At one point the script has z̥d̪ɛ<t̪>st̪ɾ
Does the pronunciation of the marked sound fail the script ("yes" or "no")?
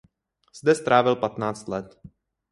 yes